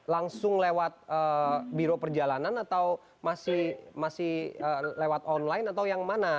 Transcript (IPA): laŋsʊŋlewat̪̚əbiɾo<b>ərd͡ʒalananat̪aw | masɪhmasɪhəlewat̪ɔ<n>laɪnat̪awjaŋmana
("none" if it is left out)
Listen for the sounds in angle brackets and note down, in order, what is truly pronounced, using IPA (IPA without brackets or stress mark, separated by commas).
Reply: p, n